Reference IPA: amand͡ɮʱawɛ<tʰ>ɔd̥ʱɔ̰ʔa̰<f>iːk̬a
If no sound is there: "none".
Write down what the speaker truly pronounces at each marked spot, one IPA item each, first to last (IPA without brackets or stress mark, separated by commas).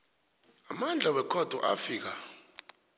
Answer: kʰ, f